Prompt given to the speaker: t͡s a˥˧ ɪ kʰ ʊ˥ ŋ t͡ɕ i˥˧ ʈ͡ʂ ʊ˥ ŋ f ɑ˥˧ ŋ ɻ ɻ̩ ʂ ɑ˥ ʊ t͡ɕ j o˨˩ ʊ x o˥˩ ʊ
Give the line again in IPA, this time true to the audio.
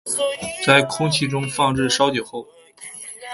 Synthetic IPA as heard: t͡s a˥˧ ɪ kʰ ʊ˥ ŋ t͡ɕʰ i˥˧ ʈ͡ʂ ʊ˥ ŋ f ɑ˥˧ ŋ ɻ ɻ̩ ʂ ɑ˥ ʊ t͡ɕ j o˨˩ ʊ x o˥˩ ʊ